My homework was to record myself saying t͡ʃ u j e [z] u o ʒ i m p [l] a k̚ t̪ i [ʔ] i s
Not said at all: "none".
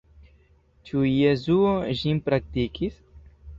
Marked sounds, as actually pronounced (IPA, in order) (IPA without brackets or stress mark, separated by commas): z, ɾ, k